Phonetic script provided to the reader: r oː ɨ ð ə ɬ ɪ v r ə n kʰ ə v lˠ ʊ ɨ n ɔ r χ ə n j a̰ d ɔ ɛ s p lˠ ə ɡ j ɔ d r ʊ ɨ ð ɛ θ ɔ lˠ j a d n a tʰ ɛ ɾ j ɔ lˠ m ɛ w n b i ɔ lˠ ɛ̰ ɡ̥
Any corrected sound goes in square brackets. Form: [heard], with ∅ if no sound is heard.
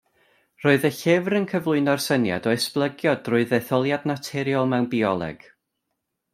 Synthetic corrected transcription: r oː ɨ ð ə ɬ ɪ v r ə n kʰ ə v lˠ ʊ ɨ n ɔ r [s] ə n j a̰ d ɔ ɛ s p lˠ ə ɡ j ɔ d r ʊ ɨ ð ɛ θ ɔ lˠ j a d n a tʰ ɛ ɾ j ɔ lˠ m ɛ w n b i ɔ lˠ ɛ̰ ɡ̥

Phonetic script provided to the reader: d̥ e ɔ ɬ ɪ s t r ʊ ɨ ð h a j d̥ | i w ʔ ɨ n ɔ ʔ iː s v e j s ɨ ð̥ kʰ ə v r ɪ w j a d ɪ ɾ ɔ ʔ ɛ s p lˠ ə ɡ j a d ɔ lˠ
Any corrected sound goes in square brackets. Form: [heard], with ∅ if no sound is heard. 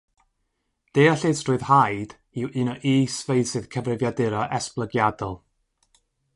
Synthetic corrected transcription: d̥ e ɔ ɬ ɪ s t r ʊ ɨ ð h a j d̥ | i w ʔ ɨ n ɔ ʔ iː s v e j s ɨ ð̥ kʰ ə v r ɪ [v] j a d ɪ ɾ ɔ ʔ ɛ s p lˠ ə ɡ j a d ɔ lˠ

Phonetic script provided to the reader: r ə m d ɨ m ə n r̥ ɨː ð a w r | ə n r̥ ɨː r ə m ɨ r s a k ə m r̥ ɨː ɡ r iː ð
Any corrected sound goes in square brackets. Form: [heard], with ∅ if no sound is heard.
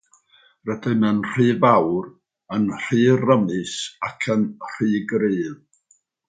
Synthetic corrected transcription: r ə [∅] d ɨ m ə n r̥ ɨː [v] a w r | ə n r̥ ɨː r ə m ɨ [∅] s a [kʰ] ə [n] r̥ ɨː ɡ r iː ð

